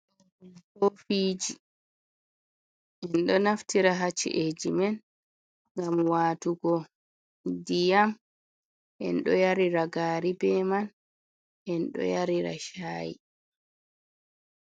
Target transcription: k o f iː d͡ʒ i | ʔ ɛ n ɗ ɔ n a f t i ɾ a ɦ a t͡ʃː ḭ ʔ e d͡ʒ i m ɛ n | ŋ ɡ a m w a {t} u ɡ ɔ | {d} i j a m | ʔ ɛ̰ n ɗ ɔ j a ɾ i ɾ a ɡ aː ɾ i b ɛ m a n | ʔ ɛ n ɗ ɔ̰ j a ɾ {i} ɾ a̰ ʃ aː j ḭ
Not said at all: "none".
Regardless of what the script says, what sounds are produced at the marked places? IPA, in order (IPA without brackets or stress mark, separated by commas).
t, d, i